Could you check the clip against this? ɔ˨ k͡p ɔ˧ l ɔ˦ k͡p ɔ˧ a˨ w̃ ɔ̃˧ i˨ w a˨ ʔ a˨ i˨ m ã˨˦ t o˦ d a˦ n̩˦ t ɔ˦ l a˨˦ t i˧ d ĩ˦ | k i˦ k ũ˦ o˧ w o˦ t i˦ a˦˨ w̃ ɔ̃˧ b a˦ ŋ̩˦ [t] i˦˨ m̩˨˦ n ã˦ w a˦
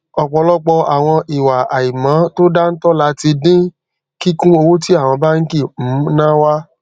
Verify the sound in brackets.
incorrect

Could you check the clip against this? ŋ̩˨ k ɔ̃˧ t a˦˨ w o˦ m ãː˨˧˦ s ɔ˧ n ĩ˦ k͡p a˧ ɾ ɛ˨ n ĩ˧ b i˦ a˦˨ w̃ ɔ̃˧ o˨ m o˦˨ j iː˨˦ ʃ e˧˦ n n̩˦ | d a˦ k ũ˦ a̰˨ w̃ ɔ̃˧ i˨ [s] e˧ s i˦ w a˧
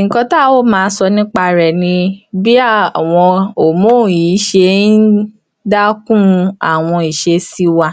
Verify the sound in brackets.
incorrect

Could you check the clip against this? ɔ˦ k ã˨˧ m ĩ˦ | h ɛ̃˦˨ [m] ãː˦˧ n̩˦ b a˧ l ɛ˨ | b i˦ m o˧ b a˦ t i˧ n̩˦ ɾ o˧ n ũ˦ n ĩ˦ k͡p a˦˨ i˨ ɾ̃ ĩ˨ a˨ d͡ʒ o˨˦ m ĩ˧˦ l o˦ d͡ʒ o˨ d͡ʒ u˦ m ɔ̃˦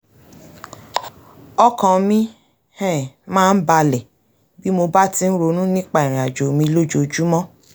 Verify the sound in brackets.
correct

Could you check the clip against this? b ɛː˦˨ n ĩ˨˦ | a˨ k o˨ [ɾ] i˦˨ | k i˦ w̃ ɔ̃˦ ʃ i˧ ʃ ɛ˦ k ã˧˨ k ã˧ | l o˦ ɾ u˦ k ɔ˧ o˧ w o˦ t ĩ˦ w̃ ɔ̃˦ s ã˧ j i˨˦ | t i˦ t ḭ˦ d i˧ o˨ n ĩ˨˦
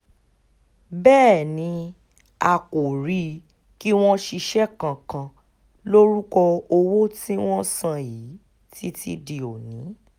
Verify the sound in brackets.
correct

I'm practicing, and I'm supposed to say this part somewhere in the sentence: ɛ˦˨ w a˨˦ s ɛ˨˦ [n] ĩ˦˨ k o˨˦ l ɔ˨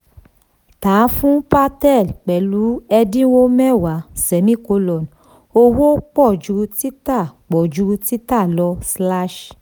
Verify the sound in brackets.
incorrect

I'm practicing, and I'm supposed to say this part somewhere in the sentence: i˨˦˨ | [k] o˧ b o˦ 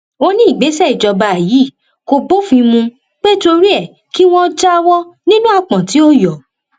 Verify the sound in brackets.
correct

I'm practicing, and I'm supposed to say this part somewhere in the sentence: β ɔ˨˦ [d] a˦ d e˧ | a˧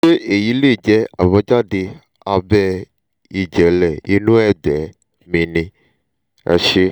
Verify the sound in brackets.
incorrect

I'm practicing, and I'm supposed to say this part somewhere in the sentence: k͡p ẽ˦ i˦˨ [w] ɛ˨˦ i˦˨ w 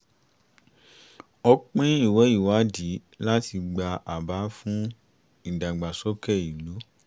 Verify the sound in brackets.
correct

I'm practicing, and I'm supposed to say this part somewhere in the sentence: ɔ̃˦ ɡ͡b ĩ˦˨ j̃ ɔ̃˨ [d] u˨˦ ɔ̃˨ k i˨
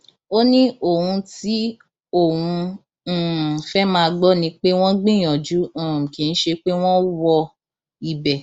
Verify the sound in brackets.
incorrect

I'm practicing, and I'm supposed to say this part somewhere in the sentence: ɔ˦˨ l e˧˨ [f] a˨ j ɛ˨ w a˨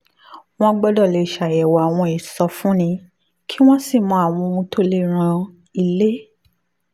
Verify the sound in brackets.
incorrect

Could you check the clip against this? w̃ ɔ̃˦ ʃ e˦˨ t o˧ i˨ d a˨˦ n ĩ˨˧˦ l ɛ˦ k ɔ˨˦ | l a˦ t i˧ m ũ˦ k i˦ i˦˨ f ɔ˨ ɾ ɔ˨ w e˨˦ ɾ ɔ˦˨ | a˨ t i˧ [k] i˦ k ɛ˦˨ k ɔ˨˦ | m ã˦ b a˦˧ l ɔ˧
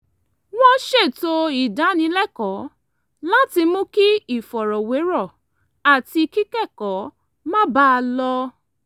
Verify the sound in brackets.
correct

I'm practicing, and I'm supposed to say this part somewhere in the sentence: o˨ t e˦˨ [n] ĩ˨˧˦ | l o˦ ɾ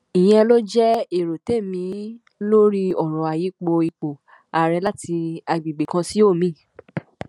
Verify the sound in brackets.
incorrect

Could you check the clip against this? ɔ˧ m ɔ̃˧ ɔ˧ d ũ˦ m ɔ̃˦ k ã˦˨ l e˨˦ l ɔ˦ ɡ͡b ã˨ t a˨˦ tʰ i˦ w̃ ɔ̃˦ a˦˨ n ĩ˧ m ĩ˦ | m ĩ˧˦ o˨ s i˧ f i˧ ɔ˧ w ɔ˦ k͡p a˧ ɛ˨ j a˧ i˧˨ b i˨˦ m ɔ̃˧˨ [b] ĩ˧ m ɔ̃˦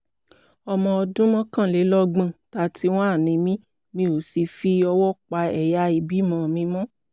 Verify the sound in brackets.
incorrect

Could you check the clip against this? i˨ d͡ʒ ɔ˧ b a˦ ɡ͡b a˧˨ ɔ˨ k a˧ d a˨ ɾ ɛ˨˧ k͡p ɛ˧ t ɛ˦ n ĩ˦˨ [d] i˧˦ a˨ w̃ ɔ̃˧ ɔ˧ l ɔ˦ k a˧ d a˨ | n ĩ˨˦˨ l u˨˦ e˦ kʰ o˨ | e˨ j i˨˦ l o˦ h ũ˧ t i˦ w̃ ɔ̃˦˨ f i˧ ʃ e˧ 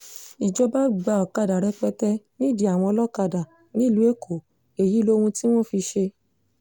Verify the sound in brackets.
correct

